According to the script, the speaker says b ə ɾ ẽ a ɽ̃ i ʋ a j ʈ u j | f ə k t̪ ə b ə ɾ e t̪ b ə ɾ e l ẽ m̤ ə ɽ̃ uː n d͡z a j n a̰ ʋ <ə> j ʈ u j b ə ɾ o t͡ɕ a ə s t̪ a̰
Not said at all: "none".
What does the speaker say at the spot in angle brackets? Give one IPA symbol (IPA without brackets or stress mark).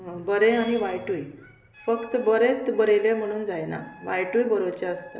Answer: a